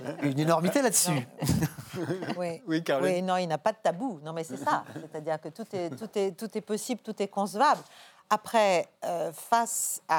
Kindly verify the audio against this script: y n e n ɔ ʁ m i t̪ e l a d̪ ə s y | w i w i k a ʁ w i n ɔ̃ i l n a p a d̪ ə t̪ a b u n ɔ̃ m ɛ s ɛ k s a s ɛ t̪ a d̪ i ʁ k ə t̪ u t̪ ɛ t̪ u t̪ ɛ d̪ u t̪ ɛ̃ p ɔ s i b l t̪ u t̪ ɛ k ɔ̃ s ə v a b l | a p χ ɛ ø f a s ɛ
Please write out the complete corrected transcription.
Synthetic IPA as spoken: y n e n ɔ ʁ m i t̪ e l a d̪ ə s y | w i w i k a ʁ w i n ɔ̃ i l n a p a d̪ ə t̪ a b u n ɔ̃ m ɛ s ɛ s a s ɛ t̪ a d̪ i ʁ k ə t̪ u t̪ ɛ t̪ u t̪ ɛ t̪ u t̪ ɛ p ɔ s i b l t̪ u t̪ ɛ k ɔ̃ s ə v a b l | a p χ ɛ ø f a s a